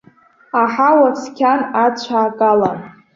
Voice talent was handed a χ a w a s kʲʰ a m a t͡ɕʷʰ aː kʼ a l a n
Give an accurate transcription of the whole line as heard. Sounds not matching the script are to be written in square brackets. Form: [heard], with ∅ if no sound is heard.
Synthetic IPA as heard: a [ħ] a w a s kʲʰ a [n] a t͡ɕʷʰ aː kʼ a l a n